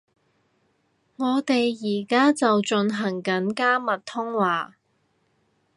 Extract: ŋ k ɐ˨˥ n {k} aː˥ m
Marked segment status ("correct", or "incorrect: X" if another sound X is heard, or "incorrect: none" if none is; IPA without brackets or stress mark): correct